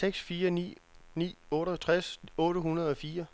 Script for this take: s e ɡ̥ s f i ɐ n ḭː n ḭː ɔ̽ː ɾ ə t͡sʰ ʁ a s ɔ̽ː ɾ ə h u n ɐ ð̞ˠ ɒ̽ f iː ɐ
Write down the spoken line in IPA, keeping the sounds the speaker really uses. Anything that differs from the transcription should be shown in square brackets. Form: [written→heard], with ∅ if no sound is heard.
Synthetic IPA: s e ɡ̥ s f [i→iː] ɐ n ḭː n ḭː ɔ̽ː ɾ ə t͡sʰ ʁ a s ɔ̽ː ɾ ə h u n ɐ ð̞ˠ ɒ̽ f iː ɐ